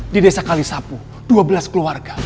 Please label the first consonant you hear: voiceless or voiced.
voiced